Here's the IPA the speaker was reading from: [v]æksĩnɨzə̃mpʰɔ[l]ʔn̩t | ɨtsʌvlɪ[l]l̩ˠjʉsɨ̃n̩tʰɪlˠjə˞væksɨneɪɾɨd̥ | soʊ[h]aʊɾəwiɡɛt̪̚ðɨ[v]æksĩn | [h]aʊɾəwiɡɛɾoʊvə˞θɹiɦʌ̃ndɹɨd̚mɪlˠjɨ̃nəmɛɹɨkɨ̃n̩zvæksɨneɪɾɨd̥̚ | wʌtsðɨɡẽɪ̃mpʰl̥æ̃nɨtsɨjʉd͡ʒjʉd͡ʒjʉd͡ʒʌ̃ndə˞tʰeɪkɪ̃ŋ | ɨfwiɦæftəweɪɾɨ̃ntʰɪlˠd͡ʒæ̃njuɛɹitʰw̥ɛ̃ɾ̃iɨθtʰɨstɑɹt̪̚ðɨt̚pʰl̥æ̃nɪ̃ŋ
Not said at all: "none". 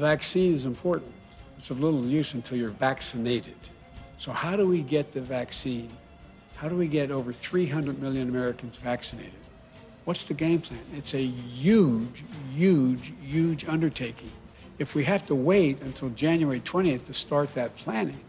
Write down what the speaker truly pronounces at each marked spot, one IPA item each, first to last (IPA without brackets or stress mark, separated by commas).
v, ɹ, ɾ, h, v, h